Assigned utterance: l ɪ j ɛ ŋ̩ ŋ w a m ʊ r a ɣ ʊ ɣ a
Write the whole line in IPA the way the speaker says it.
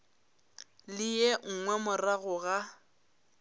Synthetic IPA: l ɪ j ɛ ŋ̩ ŋ w ɛ m ʊ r a ɣ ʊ ɣ a